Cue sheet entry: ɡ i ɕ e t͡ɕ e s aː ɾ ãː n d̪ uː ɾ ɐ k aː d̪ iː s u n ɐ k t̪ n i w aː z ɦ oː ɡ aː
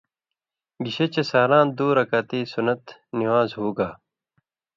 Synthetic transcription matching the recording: ɡ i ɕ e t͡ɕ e s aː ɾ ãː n d̪ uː ɾ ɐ k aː t̪ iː s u n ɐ t̪ n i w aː z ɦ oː ɡ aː